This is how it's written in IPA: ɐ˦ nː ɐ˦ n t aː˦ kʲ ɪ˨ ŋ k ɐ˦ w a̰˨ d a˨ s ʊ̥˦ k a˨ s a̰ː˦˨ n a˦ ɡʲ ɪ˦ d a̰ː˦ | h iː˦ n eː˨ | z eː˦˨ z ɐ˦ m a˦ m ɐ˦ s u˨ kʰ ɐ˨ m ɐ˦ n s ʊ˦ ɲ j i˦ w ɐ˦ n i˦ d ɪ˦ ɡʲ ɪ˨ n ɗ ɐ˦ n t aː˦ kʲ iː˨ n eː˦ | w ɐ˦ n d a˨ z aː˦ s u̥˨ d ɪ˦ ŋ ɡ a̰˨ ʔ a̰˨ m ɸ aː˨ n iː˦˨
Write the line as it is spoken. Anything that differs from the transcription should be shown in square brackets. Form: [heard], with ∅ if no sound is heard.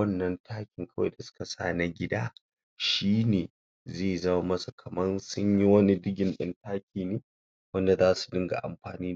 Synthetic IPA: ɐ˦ nː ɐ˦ n t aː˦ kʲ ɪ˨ ŋ k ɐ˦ w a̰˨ d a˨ s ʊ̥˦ k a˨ s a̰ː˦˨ n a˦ ɡʲ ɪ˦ d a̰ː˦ | [ʃ] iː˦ n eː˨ | z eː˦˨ z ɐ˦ m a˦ m ɐ˦ s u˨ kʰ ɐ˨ m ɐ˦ n s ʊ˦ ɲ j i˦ w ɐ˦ n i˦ d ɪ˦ ɡʲ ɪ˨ n ɗ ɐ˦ n t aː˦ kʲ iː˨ n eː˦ | w ɐ˦ n d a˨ z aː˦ s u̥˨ d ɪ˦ ŋ ɡ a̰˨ ʔ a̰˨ m ɸ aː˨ n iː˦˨